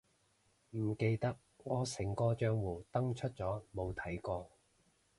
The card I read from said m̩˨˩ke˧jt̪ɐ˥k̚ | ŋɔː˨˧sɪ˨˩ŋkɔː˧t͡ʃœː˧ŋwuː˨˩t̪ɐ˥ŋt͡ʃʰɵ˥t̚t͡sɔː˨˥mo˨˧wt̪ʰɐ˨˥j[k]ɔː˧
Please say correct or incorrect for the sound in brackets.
correct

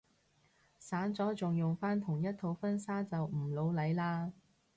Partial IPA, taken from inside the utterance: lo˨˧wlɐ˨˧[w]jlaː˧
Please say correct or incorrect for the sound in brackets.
incorrect: none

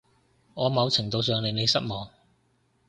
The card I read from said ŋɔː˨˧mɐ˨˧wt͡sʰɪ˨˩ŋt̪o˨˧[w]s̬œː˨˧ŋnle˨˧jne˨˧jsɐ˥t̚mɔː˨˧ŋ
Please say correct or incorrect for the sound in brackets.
correct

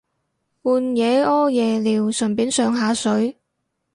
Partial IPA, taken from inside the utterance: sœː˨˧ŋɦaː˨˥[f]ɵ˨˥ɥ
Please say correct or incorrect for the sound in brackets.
incorrect: s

